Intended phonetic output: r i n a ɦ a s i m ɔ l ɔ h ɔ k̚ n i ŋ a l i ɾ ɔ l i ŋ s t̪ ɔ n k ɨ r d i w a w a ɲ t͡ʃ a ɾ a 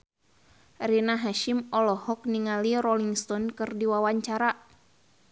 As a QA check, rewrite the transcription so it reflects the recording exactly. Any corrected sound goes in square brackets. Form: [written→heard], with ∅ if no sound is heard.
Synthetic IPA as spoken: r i n a ɦ a [s→ʃ] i m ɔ l ɔ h ɔ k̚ n i ŋ a l i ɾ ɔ l i ŋ s t̪ ɔ n k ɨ r d i w a w a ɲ t͡ʃ a ɾ a